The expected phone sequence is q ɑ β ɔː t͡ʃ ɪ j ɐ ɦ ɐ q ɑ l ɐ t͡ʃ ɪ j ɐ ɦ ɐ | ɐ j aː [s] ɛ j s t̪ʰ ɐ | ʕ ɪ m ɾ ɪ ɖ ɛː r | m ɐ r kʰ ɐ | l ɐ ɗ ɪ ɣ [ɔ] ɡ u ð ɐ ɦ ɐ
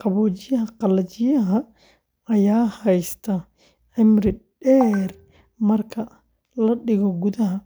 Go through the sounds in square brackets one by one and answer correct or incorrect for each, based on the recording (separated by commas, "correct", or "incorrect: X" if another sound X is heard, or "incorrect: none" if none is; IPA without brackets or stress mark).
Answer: incorrect: h, correct